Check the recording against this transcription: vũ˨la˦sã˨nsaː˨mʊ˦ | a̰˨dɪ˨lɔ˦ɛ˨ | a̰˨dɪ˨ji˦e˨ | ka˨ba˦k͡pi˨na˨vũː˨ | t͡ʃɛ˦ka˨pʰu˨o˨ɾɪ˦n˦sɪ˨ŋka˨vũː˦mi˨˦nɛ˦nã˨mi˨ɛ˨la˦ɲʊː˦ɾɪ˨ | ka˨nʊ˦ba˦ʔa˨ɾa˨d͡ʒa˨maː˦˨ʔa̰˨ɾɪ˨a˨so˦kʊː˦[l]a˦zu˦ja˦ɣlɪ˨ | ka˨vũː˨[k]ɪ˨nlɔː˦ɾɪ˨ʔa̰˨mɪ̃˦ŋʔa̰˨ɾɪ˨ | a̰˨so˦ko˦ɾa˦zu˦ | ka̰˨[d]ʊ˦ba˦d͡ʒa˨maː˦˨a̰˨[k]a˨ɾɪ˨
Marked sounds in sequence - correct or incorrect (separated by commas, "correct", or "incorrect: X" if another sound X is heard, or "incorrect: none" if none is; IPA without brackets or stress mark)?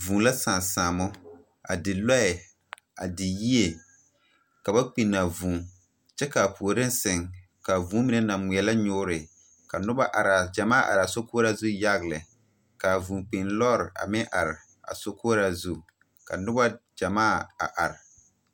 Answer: incorrect: ɾ, incorrect: k͡p, incorrect: n, incorrect: ʔ